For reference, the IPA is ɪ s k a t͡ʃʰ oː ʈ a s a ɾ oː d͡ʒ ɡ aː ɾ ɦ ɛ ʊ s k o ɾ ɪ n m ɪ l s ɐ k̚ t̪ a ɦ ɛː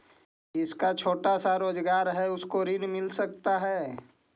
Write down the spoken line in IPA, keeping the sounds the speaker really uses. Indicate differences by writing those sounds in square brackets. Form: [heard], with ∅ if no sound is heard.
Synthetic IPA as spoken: ɪ s k a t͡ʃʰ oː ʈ a s a ɾ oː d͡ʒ ɡ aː ɾ ɦ ɛ ʊ s k o ɾ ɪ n m ɪ l s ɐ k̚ t̪ a ɦ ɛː